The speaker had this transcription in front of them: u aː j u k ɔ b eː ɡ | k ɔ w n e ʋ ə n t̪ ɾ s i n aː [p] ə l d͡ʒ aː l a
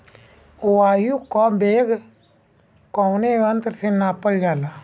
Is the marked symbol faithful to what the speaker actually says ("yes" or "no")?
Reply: yes